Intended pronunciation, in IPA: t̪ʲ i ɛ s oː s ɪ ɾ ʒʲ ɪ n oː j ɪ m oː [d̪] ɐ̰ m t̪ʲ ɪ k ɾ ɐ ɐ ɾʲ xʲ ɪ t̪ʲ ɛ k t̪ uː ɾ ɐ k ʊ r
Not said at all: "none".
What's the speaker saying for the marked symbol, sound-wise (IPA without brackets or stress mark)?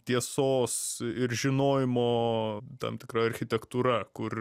t̪